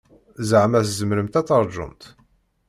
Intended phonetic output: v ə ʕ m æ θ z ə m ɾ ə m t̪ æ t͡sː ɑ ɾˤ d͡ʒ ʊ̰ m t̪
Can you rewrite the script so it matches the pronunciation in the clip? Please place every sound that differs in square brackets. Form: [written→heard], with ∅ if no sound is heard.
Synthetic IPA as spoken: [v→z] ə ʕ m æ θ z ə m ɾ ə m t̪ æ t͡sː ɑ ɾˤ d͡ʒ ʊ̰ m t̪

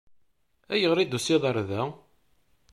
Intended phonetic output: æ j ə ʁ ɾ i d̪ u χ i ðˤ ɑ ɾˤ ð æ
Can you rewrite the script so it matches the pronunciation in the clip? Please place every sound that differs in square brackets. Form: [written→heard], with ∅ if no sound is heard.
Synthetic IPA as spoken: æ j ə ʁ ɾ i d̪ u [χ→s] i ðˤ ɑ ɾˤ ð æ

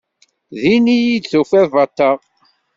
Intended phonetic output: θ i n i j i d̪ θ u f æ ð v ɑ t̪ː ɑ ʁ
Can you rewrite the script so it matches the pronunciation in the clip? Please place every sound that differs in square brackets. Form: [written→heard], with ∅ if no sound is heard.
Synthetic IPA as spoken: [θ→ð] i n i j i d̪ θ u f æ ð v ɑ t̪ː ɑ ʁ

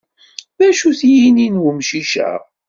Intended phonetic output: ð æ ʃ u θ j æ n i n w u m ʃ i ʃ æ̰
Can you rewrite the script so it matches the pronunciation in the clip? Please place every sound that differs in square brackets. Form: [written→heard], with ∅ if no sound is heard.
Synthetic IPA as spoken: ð æ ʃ u θ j [æ→i] n i n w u m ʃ i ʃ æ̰

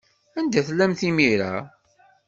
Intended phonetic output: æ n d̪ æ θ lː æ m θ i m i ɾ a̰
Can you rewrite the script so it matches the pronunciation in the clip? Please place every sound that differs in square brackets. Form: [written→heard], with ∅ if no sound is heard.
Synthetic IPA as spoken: æ n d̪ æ θ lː æ m θ i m i ɾ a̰

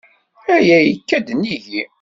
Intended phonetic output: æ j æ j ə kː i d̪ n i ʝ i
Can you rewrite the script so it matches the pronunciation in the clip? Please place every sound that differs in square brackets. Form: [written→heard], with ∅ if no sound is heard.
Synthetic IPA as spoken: æ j æ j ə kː [i→æ] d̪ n i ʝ i

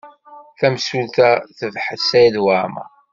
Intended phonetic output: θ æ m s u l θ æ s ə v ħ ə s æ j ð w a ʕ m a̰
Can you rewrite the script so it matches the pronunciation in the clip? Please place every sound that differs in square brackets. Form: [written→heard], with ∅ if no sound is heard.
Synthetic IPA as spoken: θ æ m s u l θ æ [s→θ] ə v ħ ə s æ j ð w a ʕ m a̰

